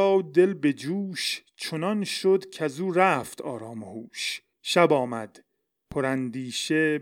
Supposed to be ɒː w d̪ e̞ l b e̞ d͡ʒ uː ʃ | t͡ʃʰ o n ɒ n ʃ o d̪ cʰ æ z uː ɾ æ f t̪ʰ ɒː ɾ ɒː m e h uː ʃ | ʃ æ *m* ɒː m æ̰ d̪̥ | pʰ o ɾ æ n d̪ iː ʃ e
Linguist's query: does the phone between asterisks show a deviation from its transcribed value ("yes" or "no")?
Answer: yes